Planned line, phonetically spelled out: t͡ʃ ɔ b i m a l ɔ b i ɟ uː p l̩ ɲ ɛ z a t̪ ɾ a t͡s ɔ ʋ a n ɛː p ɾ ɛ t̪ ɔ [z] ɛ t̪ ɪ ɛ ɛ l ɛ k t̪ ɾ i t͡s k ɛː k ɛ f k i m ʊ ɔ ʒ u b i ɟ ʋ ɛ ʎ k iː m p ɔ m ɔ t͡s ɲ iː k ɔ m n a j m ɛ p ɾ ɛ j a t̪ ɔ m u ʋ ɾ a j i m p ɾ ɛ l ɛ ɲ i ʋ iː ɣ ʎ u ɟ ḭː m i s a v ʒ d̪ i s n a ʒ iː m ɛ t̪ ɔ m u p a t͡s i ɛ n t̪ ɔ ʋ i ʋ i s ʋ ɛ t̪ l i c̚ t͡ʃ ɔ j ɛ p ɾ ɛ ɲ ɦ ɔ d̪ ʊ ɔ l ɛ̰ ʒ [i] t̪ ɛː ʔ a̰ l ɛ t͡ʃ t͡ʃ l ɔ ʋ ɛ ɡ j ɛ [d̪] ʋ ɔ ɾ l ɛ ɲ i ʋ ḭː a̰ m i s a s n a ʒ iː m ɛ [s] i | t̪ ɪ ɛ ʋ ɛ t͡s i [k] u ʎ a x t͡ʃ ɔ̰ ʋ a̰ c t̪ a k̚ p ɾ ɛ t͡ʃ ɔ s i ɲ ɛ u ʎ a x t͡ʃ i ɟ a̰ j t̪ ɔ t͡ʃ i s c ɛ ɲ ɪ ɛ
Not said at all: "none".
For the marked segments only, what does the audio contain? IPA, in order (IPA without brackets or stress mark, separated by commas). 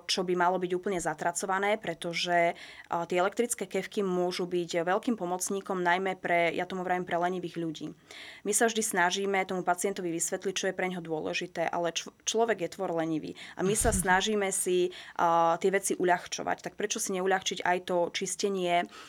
ʒ, i, t̪, s, ʔ